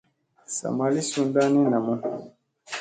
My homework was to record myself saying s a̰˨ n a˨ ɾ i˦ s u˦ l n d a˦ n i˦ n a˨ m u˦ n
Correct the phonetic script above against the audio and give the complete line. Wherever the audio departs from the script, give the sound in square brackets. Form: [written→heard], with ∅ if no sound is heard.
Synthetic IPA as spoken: s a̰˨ [n→m] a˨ [ɾ→l] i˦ s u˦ [l→∅] n d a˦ n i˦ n a˨ m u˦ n